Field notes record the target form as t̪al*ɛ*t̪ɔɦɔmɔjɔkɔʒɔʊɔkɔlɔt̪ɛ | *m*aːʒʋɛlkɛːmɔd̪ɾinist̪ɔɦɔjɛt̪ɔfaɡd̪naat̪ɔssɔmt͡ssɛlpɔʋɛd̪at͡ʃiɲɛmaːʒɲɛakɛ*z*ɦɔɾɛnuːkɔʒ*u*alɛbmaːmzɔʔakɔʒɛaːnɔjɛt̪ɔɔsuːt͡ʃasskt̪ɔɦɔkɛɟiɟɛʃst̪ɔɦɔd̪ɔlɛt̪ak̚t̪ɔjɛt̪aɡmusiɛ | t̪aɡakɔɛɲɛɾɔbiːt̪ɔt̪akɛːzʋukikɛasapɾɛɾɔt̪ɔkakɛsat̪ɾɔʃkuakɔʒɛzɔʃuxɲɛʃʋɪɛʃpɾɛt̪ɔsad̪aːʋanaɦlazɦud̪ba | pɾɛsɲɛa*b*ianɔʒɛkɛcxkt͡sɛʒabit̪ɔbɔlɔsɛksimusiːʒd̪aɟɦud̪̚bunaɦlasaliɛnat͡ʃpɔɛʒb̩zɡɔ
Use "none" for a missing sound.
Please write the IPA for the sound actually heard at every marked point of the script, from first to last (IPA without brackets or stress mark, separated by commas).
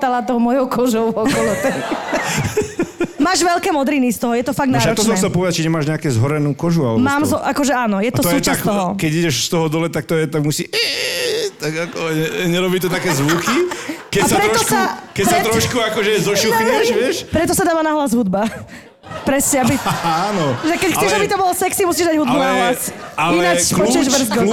a, m, z, u, b